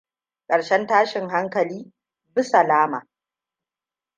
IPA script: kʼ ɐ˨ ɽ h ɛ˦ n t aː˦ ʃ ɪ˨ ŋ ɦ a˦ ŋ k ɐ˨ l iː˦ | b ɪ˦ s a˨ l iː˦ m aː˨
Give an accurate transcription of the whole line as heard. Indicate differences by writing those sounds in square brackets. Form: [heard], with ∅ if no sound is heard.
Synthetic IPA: kʼ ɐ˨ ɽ [ʃ] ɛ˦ n t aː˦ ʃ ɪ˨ ŋ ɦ a˦ ŋ k ɐ˨ l iː˦ | b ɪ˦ s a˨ l [aː˦] m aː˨